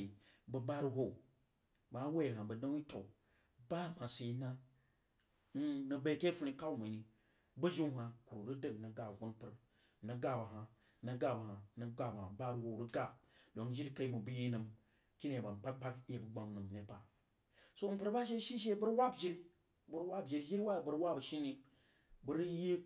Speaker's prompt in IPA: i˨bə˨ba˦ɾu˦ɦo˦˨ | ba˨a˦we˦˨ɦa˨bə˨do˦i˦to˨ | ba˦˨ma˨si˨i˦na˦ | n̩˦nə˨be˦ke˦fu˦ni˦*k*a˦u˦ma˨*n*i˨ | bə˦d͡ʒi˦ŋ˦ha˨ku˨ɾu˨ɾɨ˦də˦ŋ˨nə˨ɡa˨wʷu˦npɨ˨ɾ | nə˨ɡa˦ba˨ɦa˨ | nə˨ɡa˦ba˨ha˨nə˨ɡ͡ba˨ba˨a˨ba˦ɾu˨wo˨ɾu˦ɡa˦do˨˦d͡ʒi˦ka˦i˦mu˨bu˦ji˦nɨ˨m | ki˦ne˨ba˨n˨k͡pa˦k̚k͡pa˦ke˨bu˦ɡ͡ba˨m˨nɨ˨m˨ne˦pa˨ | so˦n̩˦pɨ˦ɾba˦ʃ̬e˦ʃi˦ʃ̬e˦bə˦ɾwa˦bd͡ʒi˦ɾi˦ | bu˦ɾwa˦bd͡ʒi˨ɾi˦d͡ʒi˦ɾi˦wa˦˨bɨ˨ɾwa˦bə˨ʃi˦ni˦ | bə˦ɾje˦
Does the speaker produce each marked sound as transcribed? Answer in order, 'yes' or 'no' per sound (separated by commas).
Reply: yes, yes